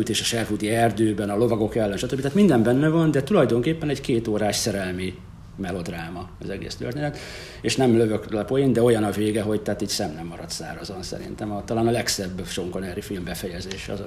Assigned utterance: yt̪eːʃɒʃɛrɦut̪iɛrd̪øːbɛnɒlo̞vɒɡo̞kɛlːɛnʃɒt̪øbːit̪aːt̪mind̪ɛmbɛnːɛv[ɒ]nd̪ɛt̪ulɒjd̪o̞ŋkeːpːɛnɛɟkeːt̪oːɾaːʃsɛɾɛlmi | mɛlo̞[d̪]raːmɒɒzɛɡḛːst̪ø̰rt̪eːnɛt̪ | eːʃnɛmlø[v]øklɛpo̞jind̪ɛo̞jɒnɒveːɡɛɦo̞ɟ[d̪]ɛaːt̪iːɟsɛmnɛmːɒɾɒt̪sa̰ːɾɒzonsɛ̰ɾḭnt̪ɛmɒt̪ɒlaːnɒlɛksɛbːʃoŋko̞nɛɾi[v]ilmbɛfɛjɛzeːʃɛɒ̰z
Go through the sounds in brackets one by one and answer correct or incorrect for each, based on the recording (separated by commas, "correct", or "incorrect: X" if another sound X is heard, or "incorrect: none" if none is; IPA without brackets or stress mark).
correct, correct, correct, incorrect: t̪, incorrect: f